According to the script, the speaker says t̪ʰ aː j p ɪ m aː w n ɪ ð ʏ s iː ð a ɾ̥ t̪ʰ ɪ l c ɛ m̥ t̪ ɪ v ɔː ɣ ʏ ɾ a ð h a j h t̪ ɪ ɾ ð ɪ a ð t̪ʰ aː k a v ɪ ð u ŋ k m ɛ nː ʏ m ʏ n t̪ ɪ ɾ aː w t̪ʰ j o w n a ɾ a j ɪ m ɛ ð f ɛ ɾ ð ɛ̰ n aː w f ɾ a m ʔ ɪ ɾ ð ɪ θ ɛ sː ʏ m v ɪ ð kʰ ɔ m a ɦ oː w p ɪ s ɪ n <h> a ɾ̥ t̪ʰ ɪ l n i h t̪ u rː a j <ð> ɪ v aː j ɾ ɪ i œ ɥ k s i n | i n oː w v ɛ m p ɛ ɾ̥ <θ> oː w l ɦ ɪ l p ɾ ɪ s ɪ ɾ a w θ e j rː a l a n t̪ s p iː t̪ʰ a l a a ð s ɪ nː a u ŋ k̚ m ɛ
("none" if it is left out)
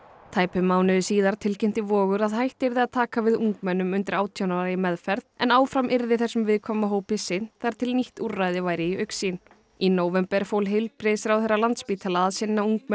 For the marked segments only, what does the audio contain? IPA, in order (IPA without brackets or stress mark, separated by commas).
θ, ð, f